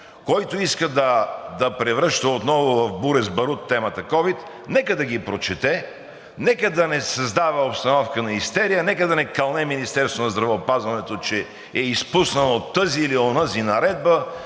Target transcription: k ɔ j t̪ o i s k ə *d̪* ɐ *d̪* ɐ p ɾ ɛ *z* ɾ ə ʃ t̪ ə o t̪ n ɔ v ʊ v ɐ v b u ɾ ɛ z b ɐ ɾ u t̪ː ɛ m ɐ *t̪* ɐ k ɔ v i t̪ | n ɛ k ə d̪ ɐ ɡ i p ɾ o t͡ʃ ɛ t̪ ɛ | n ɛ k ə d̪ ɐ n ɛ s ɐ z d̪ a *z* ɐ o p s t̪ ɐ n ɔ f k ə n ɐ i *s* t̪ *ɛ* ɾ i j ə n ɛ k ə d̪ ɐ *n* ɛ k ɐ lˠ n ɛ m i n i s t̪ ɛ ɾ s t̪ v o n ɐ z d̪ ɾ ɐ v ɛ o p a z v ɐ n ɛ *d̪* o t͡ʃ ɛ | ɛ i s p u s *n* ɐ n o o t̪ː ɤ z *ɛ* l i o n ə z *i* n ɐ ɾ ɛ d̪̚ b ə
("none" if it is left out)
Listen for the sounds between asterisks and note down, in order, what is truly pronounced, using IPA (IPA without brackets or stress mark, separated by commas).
d̪, d̪, v, t̪, v, s, ɛ, n, t̪, n, i, i